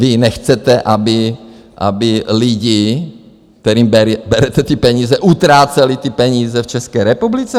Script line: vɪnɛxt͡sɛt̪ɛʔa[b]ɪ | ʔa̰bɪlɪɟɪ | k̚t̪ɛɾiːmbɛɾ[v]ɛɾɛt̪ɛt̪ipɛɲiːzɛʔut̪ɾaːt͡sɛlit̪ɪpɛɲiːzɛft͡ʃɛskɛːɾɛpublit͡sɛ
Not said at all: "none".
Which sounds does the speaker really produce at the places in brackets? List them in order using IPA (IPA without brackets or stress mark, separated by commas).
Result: b, b